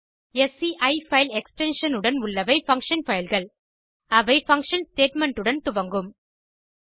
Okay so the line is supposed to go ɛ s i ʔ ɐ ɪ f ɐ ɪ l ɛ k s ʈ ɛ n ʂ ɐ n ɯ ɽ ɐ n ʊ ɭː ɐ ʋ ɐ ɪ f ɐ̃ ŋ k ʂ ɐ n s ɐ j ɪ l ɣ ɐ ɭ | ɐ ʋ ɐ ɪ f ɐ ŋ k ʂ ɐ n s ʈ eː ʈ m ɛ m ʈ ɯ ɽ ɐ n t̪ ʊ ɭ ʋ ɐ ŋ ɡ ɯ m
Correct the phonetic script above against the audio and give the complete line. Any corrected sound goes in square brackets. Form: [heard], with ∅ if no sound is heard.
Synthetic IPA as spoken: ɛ s i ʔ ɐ ɪ f ɐ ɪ l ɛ k s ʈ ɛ n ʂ ɐ n ɯ ɽ ɐ n ʊ ɭː ɐ ʋ ɐ ɪ f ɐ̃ ŋ k ʂ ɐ n [f] ɐ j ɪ l ɣ ɐ ɭ | ɐ ʋ ɐ ɪ f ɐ ŋ k ʂ ɐ n s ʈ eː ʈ m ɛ [ɳ] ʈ ɯ ɽ ɐ n t̪ ʊ [∅] ʋ ɐ ŋ ɡ ɯ m